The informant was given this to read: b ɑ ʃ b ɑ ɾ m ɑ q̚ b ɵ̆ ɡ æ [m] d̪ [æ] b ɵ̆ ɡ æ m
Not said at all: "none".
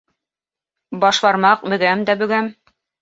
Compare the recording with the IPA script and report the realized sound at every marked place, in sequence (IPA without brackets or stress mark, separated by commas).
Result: m, æ